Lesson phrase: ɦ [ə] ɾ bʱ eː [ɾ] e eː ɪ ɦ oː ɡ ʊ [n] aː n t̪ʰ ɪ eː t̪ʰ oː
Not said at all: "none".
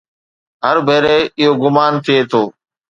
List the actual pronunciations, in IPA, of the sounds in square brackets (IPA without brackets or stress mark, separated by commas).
ə, ɾ, m